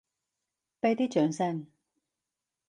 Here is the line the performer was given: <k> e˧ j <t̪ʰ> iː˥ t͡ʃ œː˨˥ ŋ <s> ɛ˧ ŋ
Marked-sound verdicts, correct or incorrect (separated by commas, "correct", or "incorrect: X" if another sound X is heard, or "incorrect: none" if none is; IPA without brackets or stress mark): incorrect: p, incorrect: t̪, correct